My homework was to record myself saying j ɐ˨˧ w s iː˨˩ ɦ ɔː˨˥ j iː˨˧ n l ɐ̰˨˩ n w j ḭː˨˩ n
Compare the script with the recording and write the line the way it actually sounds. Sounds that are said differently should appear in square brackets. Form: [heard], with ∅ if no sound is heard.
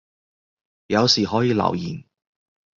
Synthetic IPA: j ɐ˨˧ w s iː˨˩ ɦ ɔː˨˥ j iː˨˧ [∅] l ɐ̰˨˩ [∅] w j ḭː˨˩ n